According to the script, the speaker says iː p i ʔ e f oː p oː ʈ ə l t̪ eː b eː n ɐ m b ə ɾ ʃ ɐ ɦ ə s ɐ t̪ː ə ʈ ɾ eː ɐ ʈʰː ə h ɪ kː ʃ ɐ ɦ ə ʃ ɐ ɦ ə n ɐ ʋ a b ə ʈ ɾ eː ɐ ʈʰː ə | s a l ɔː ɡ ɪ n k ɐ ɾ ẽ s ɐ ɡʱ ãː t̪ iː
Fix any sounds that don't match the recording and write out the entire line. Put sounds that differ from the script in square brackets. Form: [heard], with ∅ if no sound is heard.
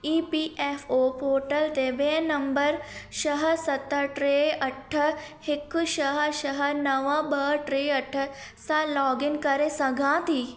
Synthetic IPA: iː p i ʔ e f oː p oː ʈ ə l t̪ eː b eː n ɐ m b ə ɾ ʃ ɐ ɦ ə s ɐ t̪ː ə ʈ ɾ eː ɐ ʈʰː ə h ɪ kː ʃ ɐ ɦ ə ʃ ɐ ɦ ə n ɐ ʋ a b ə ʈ ɾ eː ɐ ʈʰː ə | s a l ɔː ɡ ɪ n k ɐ ɾ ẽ s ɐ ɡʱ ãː t̪ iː

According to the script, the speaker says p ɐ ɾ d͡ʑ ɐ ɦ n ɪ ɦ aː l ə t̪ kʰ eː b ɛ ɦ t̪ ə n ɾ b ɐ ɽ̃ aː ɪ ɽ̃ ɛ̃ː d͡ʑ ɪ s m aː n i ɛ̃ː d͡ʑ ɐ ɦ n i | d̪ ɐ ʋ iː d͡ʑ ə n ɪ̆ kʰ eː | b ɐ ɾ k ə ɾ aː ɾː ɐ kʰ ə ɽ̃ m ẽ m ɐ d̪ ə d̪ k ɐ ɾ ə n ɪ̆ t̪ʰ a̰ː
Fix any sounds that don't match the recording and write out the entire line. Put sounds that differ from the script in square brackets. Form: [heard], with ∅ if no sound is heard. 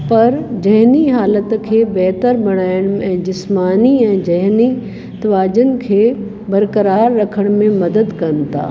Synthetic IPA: p ɐ ɾ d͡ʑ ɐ ɦ n [i] ɦ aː l ə t̪ kʰ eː b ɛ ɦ t̪ ə [∅] ɾ b ɐ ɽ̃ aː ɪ ɽ̃ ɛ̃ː d͡ʑ ɪ s m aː n i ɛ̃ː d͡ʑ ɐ ɦ n i | [t̪] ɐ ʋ [aː] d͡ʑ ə n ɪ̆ kʰ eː | b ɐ ɾ k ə ɾ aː ɾː ɐ kʰ ə ɽ̃ m ẽ m ɐ d̪ ə d̪ k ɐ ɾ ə n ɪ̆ t̪ʰ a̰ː

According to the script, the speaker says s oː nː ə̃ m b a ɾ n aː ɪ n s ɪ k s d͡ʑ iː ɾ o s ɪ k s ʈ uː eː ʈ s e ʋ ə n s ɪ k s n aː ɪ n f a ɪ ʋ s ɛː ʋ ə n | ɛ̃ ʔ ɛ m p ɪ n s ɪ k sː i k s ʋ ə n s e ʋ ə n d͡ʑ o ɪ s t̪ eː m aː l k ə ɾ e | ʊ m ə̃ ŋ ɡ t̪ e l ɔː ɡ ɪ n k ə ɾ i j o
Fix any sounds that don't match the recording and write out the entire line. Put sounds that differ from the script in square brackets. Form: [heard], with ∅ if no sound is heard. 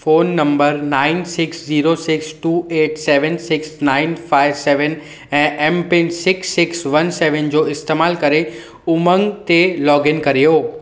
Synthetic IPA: [f] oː nː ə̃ m b [ə] ɾ n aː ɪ n s ɪ k s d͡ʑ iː ɾ o s ɪ k s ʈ uː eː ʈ s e ʋ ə n s ɪ k s n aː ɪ n f a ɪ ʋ s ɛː ʋ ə n | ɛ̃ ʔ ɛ m p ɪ n s ɪ k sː [ɪ] k s ʋ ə n s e ʋ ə n d͡ʑ o ɪ s t̪ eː m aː l k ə ɾ e | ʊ m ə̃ ŋ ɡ t̪ e l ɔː ɡ ɪ n k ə ɾ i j o

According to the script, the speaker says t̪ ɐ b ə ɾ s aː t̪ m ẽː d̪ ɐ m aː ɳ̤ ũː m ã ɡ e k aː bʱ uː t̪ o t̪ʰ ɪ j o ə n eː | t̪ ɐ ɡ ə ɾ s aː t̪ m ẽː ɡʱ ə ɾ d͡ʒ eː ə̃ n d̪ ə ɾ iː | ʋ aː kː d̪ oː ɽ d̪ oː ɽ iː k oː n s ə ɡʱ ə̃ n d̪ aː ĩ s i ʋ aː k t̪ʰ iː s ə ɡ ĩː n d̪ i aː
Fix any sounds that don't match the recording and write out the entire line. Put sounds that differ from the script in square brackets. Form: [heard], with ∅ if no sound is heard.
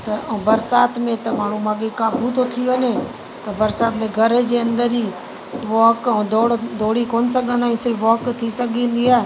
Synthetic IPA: t̪ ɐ b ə ɾ s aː t̪ m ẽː [t̪] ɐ m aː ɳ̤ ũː m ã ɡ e k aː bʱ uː t̪ o t̪ʰ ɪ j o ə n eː | t̪ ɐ [b] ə ɾ s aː t̪ m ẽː ɡʱ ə ɾ d͡ʒ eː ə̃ n d̪ ə ɾ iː | ʋ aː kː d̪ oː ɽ d̪ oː ɽ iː k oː n s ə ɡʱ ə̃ n d̪ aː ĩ s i ʋ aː k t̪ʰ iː s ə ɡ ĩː n d̪ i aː

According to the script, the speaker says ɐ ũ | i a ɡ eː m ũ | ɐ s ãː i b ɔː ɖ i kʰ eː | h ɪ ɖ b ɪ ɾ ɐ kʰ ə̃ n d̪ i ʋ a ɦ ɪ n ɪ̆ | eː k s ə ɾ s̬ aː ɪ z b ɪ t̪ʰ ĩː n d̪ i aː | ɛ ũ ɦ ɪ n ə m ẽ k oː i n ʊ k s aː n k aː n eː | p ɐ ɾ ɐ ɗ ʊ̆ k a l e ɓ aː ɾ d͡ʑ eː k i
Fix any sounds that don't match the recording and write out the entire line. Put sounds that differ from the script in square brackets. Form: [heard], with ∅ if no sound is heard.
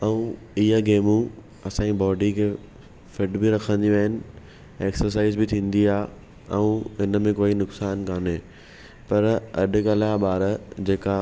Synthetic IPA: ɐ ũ | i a ɡ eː m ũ | ɐ s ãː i b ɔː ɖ i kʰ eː | [f] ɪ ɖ b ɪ ɾ ɐ kʰ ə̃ n d̪ i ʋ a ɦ ɪ n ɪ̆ | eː k s ə ɾ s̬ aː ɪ z b ɪ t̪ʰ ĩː n d̪ i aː | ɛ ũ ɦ ɪ n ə m ẽ k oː i n ʊ k s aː n k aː n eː | p ɐ ɾ ɐ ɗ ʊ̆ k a l [a] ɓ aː ɾ d͡ʑ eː k [a]

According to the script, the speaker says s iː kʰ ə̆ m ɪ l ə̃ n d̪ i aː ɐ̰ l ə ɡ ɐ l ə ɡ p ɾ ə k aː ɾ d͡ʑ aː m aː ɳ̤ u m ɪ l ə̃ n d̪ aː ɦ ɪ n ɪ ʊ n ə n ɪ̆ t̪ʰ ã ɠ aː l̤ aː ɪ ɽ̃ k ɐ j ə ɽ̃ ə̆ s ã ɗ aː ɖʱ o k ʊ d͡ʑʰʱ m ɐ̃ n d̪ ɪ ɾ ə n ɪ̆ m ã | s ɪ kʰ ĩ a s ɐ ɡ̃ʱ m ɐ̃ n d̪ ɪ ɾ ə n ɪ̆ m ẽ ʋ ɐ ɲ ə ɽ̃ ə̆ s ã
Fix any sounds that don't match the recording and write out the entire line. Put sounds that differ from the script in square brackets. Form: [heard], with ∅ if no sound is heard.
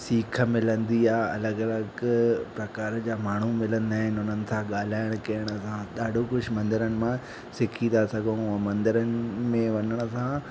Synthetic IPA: s iː kʰ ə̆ m ɪ l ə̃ n d̪ i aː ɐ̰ l ə ɡ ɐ l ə ɡ p ɾ [ɐ] k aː ɾ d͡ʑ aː m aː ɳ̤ u m ɪ l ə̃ n d̪ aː ɦ ɪ n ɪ ʊ n ə n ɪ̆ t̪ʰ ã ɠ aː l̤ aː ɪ ɽ̃ k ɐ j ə ɽ̃ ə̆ s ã ɗ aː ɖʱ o k ʊ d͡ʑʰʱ m ɐ̃ n d̪ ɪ ɾ ə n ɪ̆ m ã | s ɪ kʰ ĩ a s ɐ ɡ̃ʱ m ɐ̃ n d̪ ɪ ɾ ə n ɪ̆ m ẽ ʋ ɐ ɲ ə ɽ̃ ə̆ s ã

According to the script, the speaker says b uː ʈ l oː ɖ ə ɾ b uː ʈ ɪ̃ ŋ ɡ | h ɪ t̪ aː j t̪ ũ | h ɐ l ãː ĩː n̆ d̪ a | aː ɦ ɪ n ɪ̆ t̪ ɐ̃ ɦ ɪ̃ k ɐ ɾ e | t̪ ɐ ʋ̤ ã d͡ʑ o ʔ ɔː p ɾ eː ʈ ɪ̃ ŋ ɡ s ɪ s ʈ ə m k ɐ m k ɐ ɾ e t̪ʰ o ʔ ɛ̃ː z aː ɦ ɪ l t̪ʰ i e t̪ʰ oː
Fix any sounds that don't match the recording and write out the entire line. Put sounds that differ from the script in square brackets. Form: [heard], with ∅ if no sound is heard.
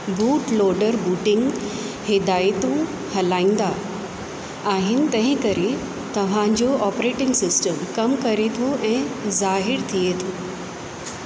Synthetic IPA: b uː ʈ l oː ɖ ə ɾ b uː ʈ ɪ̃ ŋ ɡ | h ɪ [d̪] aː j t̪ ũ | h ɐ l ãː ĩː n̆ d̪ a | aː ɦ ɪ n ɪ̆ t̪ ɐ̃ ɦ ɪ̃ k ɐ ɾ e | t̪ ɐ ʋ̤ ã d͡ʑ o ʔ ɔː p ɾ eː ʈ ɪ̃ ŋ ɡ s ɪ s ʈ ə m k ɐ m k ɐ ɾ e t̪ʰ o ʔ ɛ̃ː z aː ɦ ɪ [ɾ] t̪ʰ i e t̪ʰ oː

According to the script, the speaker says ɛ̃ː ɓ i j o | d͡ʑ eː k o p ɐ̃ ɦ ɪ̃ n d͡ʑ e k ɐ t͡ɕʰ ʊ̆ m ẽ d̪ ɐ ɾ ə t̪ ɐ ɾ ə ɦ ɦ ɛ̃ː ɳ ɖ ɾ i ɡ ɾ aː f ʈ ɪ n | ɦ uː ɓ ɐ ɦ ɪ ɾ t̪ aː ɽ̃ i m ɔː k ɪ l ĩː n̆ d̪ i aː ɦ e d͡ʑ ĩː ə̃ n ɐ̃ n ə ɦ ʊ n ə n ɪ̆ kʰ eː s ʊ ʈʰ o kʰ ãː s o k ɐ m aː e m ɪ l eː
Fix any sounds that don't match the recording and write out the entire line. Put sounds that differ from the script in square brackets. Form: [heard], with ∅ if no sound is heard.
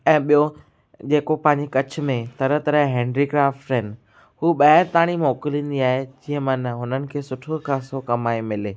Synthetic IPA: ɛ̃ː ɓ i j o | d͡ʑ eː k o p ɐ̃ ɦ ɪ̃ [ɲ] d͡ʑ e k ɐ t͡ɕʰ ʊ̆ m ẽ [t̪] ɐ ɾ ə t̪ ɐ ɾ ə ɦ ɦ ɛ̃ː ɳ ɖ ɾ i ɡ ɾ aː f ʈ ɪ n | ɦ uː ɓ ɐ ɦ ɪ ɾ t̪ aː ɽ̃ i m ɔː k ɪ l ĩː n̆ d̪ i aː ɦ e d͡ʑ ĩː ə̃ [m] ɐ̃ n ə ɦ ʊ n ə n ɪ̆ kʰ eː s ʊ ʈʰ o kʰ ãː s o k ɐ m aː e m ɪ l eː

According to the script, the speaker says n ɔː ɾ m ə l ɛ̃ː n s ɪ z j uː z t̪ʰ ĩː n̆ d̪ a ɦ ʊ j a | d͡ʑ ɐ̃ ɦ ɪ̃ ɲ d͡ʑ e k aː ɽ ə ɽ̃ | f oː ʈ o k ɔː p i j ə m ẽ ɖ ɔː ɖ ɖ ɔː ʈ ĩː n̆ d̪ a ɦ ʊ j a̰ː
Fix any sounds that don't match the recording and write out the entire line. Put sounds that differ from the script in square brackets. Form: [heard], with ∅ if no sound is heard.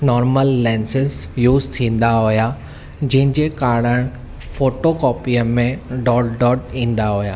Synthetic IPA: n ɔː ɾ m ə [lː] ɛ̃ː n s ɪ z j uː z t̪ʰ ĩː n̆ d̪ a ɦ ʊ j a | d͡ʑ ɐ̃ ɦ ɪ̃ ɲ d͡ʑ e k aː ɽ ə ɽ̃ | f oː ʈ o k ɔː p i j ə m ẽ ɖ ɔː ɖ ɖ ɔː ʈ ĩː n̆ d̪ a ɦ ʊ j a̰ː

